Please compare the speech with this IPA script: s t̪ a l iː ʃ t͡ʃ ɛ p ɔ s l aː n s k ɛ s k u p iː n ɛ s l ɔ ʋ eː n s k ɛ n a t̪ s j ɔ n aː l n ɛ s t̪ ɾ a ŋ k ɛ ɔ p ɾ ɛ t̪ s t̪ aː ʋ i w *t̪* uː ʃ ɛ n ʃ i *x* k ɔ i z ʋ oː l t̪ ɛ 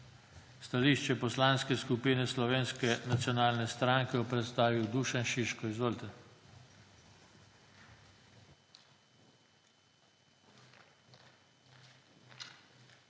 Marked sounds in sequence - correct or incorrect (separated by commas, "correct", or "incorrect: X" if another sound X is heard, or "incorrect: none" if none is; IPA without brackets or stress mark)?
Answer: incorrect: d̪, incorrect: ʃ